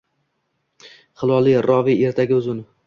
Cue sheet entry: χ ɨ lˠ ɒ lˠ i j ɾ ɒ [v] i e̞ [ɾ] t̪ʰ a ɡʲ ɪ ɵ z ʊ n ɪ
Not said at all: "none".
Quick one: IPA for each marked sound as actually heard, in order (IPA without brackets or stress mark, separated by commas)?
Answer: v, ɾ